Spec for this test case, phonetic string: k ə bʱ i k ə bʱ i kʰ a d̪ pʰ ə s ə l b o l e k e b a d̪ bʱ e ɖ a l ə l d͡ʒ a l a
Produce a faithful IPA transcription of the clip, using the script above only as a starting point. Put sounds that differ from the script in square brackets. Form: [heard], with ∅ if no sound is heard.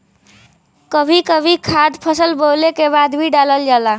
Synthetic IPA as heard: k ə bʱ i k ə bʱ i kʰ a d̪ pʰ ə s ə l b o l e k e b a d̪ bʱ [i] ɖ a l ə l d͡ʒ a l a